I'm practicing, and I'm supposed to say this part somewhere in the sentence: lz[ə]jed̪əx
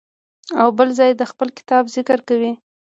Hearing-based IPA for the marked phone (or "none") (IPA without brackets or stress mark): ɑ